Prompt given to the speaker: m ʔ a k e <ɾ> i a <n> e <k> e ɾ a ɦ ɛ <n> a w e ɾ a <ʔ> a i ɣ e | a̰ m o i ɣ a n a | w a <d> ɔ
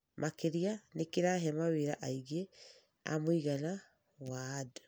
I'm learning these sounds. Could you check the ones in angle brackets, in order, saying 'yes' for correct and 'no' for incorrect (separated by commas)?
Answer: yes, yes, yes, no, yes, yes